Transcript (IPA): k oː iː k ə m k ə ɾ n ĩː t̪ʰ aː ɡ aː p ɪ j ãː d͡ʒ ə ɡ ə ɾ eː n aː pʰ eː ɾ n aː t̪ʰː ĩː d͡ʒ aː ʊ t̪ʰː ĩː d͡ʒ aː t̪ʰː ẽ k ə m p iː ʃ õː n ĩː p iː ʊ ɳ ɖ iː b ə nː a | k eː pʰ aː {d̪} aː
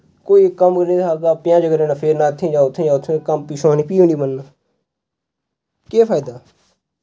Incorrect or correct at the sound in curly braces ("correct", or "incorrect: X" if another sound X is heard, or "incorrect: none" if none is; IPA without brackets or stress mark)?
correct